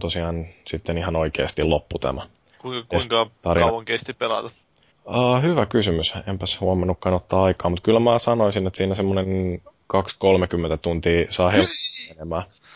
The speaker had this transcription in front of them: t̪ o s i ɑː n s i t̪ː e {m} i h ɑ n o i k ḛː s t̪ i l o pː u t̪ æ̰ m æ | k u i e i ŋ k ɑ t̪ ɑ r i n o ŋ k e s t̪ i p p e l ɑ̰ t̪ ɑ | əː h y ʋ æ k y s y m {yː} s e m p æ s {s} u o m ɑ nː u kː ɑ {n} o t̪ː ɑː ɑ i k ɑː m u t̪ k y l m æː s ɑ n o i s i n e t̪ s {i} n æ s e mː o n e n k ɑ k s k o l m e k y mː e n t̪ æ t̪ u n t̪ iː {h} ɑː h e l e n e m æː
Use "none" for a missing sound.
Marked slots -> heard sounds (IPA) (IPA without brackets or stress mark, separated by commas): n, y, h, n, iː, s